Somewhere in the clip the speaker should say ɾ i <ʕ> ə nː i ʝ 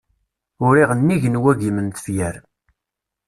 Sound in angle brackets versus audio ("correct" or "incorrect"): incorrect